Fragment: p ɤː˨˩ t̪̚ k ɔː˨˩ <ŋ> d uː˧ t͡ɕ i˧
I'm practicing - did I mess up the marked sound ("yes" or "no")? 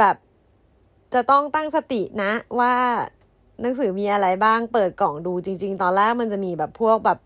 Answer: no